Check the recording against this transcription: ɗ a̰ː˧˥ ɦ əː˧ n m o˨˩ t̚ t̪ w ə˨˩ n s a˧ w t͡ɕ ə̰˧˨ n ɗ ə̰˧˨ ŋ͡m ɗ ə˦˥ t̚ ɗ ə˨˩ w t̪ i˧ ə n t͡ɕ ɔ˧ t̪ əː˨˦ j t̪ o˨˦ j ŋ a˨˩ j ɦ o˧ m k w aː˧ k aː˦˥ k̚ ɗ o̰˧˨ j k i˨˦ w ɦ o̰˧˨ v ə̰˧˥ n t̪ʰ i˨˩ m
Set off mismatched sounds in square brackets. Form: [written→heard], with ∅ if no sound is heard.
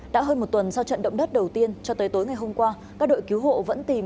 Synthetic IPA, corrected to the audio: ɗ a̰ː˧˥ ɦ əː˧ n m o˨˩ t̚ t̪ w ə˨˩ n s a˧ w t͡ɕ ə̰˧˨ n ɗ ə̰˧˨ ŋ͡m ɗ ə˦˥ t̚ ɗ ə˨˩ w t̪ i˧ ə n t͡ɕ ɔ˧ t̪ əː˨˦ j t̪ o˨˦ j ŋ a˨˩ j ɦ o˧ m k w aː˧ k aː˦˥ k̚ ɗ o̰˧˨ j k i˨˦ w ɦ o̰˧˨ v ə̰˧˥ n [t̪ʰ→t̪] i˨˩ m